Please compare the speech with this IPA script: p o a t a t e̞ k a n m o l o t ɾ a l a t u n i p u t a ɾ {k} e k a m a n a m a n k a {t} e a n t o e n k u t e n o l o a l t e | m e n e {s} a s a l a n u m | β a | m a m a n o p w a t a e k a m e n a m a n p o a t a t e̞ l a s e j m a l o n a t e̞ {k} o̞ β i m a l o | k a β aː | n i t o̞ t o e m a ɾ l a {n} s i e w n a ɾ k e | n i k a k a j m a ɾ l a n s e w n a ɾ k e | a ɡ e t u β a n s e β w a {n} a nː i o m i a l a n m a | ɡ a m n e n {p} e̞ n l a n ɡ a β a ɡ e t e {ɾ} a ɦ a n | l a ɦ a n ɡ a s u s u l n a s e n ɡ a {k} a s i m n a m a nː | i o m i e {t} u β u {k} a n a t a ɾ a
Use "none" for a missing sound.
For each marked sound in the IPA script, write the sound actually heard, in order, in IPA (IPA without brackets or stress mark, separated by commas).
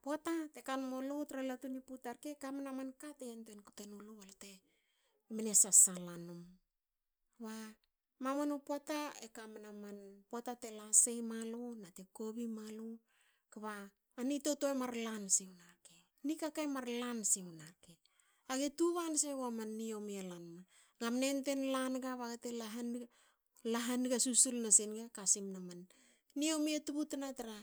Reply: k, t, s, k, n, m, t, l, k, t, t